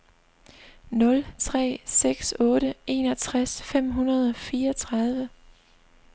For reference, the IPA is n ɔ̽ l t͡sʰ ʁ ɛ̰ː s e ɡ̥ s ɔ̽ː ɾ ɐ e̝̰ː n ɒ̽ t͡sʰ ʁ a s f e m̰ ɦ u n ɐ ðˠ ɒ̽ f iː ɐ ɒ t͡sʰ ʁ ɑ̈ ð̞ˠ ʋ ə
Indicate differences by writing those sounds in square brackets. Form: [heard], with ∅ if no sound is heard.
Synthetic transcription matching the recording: n ɔ̽ l t͡sʰ ʁ ɛ̰ː s e ɡ̥ s ɔ̽ː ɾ [ə] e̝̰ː n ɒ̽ t͡sʰ ʁ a s f e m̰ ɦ u n ɐ ðˠ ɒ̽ f iː ɐ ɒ t͡sʰ ʁ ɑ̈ ð̞ˠ ʋ ə